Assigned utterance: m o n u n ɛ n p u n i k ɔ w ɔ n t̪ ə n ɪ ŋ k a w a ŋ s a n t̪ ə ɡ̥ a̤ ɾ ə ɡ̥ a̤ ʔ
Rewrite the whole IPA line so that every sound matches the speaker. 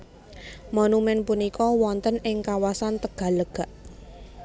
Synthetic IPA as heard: m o n u m ɛ n p u n i k ɔ w ɔ n t̪ ə n ɪ ŋ k a w a s a n t̪ ə ɡ̥ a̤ l ə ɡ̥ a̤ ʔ